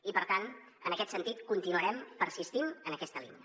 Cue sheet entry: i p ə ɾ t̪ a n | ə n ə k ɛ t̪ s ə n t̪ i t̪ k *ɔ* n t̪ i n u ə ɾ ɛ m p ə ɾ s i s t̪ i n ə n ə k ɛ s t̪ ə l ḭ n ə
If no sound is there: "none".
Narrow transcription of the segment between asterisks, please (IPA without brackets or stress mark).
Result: u